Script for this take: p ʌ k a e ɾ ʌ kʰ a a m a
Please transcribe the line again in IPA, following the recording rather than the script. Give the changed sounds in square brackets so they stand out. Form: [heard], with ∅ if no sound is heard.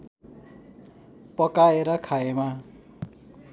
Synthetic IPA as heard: p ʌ k a e ɾ ʌ kʰ a [e] m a